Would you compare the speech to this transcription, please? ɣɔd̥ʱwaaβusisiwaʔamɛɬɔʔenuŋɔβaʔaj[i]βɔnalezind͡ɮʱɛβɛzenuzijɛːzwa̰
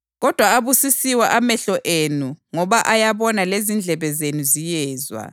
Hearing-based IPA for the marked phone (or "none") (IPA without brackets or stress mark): a